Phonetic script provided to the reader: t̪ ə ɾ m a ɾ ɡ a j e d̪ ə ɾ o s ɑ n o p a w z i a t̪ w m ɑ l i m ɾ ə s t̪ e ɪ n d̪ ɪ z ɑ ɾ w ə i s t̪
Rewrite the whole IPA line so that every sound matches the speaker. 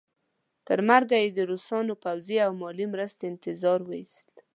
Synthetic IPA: t̪ ə ɾ m a ɾ ɡ a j e d̪ ə ɾ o s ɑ n o p a w z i a w m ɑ l i m ɾ ə s t̪ e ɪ n t̪ ɪ z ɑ ɾ w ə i s t̪